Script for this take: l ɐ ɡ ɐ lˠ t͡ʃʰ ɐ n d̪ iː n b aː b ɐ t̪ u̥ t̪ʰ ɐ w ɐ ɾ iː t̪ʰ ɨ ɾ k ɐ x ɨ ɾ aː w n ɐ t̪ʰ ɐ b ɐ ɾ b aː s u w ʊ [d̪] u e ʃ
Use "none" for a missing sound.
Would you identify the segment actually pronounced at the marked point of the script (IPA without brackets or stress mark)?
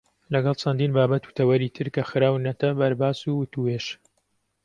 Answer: t̪